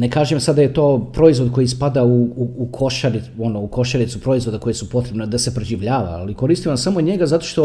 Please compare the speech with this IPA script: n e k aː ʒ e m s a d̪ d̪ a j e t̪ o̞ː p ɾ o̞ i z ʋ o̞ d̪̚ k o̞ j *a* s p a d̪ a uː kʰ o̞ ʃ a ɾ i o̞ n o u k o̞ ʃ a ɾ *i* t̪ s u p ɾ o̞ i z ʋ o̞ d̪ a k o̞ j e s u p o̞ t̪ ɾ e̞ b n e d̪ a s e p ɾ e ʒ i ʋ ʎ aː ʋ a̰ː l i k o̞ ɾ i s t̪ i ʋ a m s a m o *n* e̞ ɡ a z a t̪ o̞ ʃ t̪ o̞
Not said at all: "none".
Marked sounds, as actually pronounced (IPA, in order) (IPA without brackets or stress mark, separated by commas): i, i, ɲ